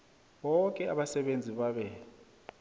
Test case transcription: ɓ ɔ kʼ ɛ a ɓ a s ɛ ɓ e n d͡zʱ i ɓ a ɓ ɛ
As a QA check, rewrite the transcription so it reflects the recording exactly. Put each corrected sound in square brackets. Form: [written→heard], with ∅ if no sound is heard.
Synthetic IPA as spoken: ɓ ɔ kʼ ɛ a ɓ a s ɛ ɓ e n d͡zʱ i ɓ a ɓ ɛ